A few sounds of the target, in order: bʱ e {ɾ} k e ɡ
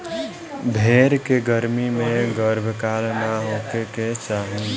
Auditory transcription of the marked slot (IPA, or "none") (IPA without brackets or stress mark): ɾ